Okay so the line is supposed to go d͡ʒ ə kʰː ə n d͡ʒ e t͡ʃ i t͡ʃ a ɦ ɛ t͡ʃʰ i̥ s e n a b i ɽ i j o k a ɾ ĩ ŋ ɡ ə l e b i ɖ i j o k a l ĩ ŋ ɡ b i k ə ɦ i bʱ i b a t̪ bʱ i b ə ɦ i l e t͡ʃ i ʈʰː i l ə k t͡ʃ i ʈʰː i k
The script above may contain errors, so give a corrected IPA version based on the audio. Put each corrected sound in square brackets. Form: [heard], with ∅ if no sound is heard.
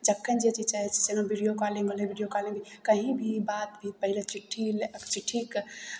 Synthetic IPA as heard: d͡ʒ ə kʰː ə n d͡ʒ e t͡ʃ i t͡ʃ a ɦ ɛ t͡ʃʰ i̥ s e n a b i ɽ i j o k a [l] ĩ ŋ ɡ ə l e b i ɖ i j o k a l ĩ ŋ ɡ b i k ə ɦ i bʱ i b a t̪ bʱ i [p] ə ɦ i l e t͡ʃ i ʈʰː i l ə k t͡ʃ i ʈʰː i k